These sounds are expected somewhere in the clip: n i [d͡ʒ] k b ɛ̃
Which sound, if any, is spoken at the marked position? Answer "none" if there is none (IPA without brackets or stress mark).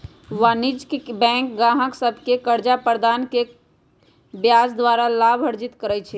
d͡ʒ